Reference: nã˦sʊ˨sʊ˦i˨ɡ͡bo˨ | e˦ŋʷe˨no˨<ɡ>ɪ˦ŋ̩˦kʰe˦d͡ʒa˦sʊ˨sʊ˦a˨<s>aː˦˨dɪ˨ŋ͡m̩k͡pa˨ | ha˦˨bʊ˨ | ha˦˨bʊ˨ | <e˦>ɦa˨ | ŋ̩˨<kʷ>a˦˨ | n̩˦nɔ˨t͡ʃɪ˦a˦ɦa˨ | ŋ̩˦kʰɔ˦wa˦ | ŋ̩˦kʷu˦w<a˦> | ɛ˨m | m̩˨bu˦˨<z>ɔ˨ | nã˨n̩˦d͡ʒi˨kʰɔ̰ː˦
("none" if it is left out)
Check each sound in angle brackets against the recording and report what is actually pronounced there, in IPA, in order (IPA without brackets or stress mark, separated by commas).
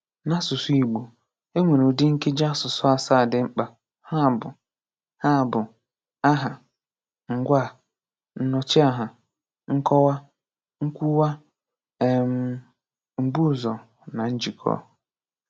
d, s, a˦, ɡʷ, a˦, z